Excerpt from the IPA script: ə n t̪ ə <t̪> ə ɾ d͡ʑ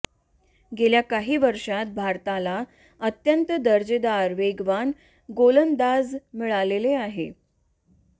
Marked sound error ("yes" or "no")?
yes